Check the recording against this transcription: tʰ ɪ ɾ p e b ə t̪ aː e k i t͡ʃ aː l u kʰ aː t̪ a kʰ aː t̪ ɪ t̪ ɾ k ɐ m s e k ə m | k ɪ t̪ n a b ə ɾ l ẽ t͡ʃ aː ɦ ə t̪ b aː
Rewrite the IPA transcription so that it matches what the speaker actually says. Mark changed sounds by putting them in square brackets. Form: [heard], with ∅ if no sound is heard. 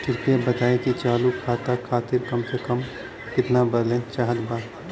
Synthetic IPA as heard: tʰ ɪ ɾ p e b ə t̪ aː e k i t͡ʃ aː l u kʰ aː t̪ a kʰ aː t̪ ɪ [∅] ɾ k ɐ m s e k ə m | k ɪ t̪ n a b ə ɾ l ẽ t͡ʃ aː ɦ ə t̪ b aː